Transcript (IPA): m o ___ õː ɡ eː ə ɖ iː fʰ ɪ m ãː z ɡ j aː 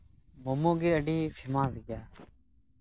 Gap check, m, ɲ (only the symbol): m